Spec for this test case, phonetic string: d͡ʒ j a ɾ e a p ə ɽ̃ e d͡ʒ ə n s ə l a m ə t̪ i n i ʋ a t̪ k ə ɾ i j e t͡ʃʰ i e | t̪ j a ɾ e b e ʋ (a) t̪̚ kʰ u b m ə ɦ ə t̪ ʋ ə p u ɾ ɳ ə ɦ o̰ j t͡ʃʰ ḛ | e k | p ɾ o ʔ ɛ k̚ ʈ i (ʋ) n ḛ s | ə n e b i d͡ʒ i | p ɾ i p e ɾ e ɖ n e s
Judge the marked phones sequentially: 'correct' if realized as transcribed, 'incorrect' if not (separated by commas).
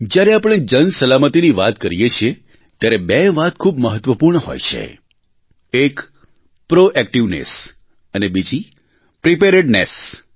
correct, correct